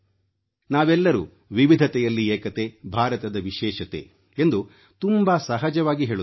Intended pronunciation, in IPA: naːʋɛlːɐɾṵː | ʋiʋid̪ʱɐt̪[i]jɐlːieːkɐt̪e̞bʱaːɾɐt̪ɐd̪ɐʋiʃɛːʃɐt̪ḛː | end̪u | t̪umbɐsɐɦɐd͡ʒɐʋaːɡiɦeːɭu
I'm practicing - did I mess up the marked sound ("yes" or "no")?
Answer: yes